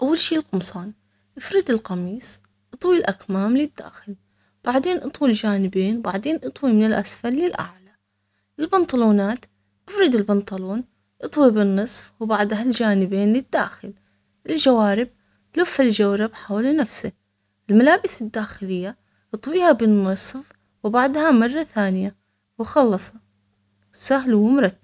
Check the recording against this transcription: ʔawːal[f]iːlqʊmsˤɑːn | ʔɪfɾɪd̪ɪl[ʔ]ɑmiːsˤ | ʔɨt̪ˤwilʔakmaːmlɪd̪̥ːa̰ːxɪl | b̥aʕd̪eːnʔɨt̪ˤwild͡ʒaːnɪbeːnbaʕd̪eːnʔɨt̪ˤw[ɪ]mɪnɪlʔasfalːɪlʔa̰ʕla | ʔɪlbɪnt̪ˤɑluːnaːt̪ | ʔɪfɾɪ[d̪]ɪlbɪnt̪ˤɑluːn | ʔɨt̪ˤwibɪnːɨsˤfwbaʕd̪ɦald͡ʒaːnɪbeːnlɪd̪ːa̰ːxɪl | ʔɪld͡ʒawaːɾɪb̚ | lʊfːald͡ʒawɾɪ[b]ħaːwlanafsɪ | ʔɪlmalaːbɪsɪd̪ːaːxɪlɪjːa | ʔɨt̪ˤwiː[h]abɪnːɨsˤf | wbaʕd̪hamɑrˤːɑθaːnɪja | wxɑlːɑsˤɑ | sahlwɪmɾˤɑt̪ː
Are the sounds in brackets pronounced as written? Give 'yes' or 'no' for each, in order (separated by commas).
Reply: no, no, no, yes, yes, yes